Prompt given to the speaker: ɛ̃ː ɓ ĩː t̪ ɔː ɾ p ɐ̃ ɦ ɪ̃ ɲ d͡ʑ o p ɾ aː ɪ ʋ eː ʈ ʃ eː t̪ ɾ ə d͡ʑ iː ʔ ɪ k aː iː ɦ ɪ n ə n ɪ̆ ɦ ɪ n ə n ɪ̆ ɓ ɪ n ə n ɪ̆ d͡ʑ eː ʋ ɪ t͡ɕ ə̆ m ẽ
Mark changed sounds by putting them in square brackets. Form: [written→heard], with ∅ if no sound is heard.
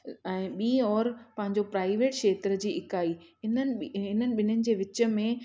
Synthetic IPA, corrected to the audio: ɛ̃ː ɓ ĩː [t̪→∅] ɔː ɾ p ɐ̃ ɦ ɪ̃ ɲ d͡ʑ o p ɾ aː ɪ ʋ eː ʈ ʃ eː t̪ ɾ ə d͡ʑ iː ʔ ɪ k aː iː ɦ ɪ n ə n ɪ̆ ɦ ɪ n ə n ɪ̆ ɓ ɪ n ə n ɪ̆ d͡ʑ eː ʋ ɪ t͡ɕ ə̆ m ẽ